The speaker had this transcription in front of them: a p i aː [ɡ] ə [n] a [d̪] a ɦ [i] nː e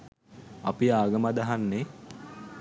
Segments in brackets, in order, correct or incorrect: correct, incorrect, correct, incorrect

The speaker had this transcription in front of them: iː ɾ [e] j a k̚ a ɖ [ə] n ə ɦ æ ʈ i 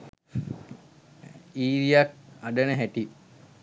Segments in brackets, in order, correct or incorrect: incorrect, correct

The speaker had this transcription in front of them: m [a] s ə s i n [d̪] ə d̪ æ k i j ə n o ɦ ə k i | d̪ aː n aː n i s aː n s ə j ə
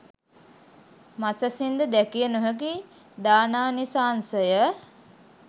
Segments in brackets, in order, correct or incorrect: correct, correct

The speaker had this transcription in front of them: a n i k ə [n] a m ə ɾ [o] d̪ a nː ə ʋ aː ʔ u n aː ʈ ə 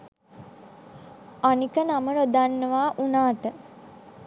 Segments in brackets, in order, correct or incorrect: correct, correct

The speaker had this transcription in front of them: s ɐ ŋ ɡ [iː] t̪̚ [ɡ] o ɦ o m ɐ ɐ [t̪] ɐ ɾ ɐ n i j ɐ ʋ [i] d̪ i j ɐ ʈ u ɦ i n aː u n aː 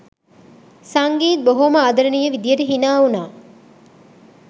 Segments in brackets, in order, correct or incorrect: correct, incorrect, incorrect, correct

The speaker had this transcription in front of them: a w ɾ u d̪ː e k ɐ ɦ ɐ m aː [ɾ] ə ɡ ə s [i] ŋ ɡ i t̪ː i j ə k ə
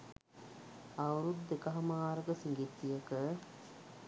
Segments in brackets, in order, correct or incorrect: correct, correct

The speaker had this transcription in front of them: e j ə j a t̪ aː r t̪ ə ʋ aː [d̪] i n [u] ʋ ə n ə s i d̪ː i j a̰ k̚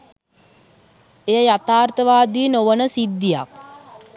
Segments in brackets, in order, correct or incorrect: correct, incorrect

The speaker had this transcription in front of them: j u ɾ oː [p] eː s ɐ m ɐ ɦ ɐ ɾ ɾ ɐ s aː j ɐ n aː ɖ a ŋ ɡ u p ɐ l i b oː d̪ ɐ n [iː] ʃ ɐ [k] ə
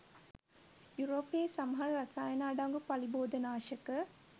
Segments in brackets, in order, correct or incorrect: correct, incorrect, correct

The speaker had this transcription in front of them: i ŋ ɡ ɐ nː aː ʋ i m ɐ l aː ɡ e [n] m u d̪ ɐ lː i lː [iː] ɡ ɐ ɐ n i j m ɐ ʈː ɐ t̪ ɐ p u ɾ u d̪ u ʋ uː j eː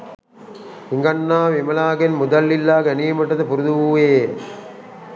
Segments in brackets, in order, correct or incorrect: correct, incorrect

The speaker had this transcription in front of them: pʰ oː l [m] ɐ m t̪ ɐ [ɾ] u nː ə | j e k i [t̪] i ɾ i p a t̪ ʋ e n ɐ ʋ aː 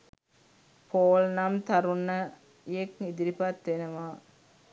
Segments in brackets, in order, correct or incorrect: incorrect, correct, incorrect

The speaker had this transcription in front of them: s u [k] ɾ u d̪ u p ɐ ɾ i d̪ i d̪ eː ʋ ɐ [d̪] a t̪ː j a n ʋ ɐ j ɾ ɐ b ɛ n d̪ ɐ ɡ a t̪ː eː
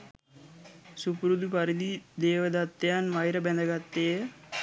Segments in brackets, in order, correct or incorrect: incorrect, correct

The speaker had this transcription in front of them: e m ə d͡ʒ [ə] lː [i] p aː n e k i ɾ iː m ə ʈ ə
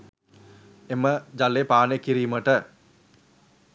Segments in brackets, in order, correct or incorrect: incorrect, incorrect

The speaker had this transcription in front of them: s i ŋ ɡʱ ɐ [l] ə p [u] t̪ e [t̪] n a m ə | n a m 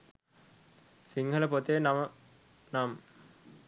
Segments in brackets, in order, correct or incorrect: correct, incorrect, incorrect

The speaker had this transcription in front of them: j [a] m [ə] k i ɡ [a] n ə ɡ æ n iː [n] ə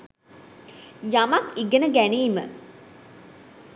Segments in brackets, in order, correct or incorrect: correct, incorrect, incorrect, incorrect

